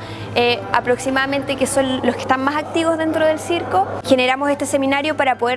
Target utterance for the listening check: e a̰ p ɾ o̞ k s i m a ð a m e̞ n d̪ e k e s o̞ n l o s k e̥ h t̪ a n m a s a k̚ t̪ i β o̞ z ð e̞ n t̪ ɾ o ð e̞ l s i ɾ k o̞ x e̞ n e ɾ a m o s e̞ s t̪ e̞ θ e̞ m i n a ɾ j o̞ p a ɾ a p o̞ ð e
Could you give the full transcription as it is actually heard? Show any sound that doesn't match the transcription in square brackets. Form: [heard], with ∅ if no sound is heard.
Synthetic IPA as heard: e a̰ p ɾ o̞ k s i m a ð a m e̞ n [t̪] e k e s o̞ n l o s k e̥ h t̪ a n m a s a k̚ t̪ i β o̞ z ð e̞ n t̪ ɾ o ð e̞ l s i ɾ k o̞ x e̞ n e ɾ a m o s e̞ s t̪ e̞ [s] e̞ m i n a ɾ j o̞ p a ɾ a p o̞ ð e